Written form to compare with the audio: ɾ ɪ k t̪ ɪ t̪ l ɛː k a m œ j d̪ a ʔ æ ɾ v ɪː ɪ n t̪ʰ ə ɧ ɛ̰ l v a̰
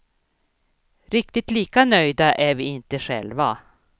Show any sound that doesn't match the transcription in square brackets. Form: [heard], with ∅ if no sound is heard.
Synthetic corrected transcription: ɾ ɪ k t̪ ɪ t̪ l [iː] k a [n] œ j d̪ a ʔ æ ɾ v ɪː ɪ n [t̪] ə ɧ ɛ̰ l v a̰